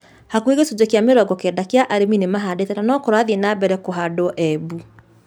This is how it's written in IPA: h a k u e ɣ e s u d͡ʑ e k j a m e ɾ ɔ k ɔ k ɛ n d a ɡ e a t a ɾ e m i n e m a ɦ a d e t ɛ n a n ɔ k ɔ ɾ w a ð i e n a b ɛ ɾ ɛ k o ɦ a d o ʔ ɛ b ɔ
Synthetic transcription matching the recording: h a k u e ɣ e s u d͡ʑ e k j a m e ɾ ɔ ɡ ɔ k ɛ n d a k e a ʔ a ɾ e m i n e m a ɦ a d e t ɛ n a n ɔ k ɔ ɾ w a ð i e n a b ɛ ɾ ɛ k o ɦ a d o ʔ ɛ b u